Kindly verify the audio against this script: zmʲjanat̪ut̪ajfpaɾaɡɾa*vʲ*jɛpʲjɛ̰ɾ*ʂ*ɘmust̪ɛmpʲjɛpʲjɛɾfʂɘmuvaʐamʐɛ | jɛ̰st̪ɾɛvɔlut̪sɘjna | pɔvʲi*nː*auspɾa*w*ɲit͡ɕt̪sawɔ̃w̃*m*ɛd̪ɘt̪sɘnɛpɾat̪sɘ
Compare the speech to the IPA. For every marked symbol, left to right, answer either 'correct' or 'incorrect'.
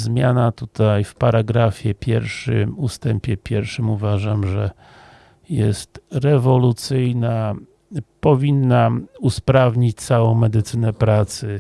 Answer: incorrect: fʲ, correct, correct, incorrect: v, correct

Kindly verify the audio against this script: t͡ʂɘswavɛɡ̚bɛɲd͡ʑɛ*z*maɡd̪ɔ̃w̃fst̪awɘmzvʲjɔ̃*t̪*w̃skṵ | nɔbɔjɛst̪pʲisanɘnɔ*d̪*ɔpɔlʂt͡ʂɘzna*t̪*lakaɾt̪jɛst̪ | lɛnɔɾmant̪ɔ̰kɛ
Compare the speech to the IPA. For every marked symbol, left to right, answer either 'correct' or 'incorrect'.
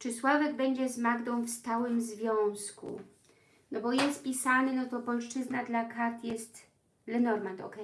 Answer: correct, incorrect: none, incorrect: t̪, incorrect: d̪

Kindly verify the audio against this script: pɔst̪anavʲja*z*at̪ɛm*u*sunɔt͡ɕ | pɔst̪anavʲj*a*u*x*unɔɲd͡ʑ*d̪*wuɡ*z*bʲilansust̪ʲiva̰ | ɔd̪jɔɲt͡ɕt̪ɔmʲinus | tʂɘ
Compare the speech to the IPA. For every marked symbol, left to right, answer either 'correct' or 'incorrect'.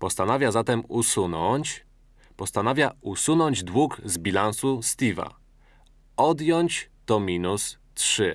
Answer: correct, correct, correct, incorrect: s, correct, correct

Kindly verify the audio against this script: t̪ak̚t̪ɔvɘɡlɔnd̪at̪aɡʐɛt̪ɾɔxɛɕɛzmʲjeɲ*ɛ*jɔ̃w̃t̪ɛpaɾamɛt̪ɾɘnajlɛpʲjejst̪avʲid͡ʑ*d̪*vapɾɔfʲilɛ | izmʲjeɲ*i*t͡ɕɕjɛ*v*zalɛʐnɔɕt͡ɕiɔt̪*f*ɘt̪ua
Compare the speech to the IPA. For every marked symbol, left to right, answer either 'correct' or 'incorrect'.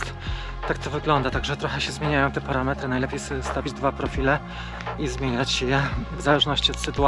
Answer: incorrect: a, correct, incorrect: a, correct, incorrect: s

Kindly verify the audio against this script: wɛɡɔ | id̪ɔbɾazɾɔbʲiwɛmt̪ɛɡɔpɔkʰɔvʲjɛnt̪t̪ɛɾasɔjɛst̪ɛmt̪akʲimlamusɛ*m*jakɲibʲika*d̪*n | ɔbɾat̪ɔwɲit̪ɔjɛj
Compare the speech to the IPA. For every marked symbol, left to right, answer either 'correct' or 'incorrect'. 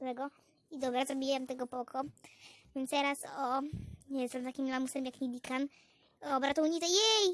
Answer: correct, incorrect: none

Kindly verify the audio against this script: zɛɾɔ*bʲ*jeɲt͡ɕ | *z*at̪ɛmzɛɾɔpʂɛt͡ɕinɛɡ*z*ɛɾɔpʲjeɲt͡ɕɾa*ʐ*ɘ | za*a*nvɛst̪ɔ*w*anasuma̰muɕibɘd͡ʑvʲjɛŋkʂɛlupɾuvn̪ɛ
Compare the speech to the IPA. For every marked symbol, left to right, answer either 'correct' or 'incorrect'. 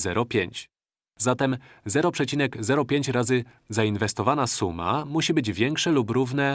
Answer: incorrect: pʲ, correct, correct, incorrect: z, incorrect: i, incorrect: v

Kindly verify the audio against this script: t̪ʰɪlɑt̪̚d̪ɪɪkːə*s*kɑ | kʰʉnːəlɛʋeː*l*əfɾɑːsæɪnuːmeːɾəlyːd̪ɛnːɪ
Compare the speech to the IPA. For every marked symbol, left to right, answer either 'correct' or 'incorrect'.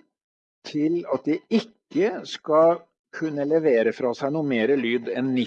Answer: correct, incorrect: ɾ

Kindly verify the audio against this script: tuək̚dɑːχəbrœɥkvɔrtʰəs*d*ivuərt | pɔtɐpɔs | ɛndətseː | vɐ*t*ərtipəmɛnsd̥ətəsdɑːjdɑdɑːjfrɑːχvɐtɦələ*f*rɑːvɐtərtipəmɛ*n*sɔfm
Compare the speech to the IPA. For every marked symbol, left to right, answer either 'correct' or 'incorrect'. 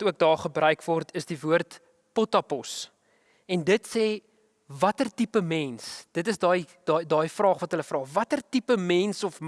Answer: correct, correct, correct, correct

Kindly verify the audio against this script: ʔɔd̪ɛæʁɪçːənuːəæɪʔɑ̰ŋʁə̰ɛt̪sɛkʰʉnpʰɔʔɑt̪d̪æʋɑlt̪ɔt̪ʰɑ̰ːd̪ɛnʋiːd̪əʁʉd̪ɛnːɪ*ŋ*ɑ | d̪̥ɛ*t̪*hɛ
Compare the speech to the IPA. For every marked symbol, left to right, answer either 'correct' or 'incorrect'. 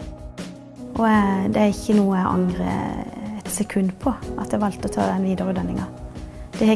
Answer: correct, incorrect: none

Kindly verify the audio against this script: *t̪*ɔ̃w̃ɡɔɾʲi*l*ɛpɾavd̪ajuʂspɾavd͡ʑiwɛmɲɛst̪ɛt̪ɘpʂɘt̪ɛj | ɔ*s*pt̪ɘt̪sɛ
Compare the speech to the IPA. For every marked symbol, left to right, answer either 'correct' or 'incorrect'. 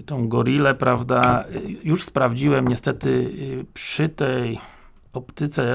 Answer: correct, correct, incorrect: none

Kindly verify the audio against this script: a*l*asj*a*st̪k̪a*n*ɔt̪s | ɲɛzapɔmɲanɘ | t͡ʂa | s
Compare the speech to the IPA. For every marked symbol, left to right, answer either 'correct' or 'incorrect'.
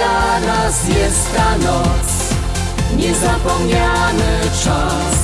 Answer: incorrect: ɾ, incorrect: ɛ, correct

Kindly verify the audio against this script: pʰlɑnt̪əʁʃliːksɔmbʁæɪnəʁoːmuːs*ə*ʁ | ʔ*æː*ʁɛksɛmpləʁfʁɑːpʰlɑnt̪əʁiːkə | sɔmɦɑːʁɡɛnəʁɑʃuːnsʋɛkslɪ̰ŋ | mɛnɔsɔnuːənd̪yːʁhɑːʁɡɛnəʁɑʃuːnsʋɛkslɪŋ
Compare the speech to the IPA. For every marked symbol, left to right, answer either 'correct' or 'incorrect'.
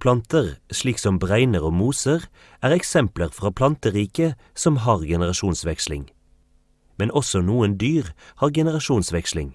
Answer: correct, correct

